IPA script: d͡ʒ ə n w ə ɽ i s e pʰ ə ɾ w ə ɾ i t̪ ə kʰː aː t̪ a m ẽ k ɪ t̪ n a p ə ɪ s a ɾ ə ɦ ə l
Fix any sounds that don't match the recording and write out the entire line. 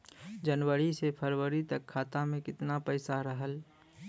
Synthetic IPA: d͡ʒ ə n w ə ɾ i s e pʰ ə ɾ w ə ɾ i t̪ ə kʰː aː t̪ a m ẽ k ɪ t̪ n a p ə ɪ s a ɾ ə ɦ ə l